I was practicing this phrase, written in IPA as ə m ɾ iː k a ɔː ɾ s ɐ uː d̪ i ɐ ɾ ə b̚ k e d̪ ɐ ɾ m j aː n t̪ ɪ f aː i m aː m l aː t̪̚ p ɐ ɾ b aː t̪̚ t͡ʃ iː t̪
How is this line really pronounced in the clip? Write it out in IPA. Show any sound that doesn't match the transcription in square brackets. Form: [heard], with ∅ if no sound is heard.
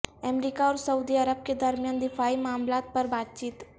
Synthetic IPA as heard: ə m ɾ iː k a ɔː ɾ s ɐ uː d̪ i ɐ ɾ ə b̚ k e d̪ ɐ ɾ m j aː n [d̪] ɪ f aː i m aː m l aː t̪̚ p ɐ ɾ b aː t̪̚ t͡ʃ iː t̪